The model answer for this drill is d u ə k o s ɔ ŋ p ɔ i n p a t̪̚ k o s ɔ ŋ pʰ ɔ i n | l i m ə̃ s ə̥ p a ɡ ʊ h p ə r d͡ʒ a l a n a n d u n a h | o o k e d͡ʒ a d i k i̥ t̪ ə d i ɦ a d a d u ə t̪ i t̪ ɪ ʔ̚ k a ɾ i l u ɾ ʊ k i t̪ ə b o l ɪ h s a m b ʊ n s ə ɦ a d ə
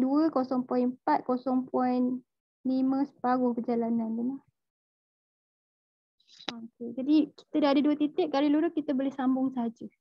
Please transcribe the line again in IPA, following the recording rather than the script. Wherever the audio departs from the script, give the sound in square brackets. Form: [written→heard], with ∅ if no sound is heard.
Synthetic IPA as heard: d u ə k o s ɔ ŋ p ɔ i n p a t̪̚ k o s ɔ ŋ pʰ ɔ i n | l i m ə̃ s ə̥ p a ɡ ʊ h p ə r d͡ʒ a l a n a n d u n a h | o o k e d͡ʒ a d i k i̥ t̪ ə d [i→a] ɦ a d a d u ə t̪ i t̪ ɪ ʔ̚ k a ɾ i l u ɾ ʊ k i t̪ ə b o l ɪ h s a m b ʊ [n→ŋ] s ə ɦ a [d→d͡ʒ] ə